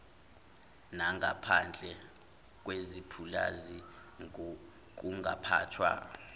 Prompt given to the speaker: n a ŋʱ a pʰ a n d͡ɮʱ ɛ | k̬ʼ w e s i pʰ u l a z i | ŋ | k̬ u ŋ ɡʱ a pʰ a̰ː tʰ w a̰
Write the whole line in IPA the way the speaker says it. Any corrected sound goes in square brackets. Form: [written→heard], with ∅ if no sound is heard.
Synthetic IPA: n a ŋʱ a pʰ a n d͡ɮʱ ɛ | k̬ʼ w e [s→z] i pʰ u l a z i | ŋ | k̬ u ŋ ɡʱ a pʰ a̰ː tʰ w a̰